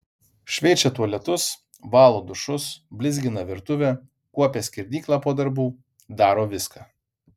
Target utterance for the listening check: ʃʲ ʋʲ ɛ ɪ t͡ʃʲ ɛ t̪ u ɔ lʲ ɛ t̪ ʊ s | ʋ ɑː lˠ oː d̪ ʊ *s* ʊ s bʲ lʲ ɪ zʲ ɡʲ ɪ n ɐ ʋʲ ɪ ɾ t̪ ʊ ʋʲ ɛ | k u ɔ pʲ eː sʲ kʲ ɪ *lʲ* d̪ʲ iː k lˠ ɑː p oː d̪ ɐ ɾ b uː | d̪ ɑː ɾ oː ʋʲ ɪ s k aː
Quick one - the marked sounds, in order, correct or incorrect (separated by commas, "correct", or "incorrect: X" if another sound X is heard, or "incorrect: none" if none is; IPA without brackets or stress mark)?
incorrect: ʃ, incorrect: ɾʲ